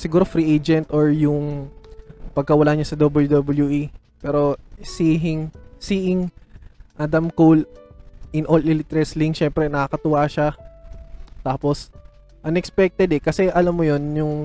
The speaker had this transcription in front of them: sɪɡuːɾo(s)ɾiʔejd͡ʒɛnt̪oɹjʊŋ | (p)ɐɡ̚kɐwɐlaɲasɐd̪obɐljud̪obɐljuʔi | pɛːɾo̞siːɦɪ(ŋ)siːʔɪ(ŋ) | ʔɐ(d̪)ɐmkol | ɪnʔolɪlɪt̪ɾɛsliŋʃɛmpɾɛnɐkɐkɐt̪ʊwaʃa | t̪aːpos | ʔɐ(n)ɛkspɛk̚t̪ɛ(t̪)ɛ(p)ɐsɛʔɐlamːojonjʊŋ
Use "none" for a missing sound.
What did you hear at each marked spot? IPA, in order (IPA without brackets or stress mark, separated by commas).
f, p, ŋ, ŋ, d̪, n, d̪, k